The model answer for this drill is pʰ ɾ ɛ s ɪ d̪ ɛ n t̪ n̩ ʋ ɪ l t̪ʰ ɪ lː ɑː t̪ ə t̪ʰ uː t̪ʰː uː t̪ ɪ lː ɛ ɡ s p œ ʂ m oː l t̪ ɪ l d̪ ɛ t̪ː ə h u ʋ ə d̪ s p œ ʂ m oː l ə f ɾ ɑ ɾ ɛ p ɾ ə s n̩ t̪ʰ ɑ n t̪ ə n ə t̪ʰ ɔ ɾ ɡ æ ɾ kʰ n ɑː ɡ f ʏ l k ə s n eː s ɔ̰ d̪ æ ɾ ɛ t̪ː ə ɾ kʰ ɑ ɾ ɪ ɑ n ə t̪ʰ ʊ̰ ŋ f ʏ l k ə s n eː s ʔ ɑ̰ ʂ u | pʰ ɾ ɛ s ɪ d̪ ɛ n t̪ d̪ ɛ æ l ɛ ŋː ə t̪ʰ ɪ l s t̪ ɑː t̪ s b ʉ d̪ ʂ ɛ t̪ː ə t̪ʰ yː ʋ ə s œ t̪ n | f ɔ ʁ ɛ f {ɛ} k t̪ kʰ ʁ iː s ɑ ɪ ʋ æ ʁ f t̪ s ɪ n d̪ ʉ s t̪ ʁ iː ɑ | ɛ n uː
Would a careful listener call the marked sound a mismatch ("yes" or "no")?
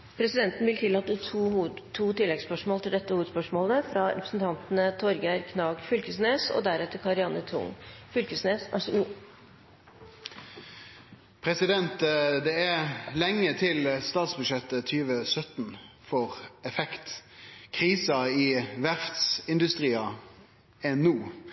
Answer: no